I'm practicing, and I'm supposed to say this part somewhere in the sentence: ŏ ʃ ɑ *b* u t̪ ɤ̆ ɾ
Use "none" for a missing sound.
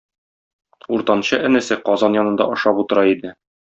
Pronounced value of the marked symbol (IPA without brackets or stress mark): p